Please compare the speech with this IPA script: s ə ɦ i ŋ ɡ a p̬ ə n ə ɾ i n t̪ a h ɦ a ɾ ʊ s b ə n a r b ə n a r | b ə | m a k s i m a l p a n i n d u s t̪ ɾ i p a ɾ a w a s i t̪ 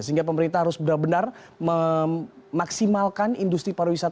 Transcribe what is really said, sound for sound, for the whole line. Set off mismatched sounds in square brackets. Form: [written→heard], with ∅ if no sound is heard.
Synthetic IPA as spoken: s ə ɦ i ŋ ɡ a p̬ ə [n→m] ə ɾ i n t̪ a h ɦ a ɾ ʊ s b ə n a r b ə n a r | [b→m] ə | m a k s i m a l [p→k] a n i n d u s t̪ ɾ i p a ɾ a w [a→i] s [i→a] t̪